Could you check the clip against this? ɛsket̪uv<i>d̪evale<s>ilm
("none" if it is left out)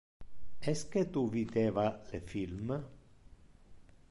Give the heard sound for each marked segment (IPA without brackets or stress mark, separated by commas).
i, f